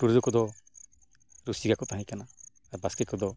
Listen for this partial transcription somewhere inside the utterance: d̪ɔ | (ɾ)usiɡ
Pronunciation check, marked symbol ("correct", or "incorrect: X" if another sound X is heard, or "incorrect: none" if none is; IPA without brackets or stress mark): correct